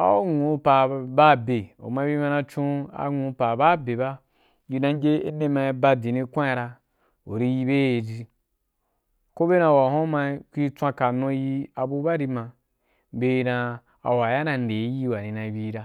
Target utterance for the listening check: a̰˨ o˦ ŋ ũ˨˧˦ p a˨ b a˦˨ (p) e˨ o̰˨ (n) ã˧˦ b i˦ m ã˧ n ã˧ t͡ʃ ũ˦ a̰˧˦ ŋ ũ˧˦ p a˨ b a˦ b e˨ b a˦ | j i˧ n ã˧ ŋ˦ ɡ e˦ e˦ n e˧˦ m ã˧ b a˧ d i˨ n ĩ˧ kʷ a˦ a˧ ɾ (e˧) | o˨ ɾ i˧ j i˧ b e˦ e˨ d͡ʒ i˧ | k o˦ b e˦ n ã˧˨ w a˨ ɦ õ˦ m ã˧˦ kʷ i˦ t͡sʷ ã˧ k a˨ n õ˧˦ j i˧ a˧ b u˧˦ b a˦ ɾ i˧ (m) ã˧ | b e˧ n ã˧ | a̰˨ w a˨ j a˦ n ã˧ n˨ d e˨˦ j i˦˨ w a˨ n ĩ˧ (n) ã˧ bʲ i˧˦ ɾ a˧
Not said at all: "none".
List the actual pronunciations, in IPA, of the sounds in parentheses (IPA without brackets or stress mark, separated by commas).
b, m, a˧, m, n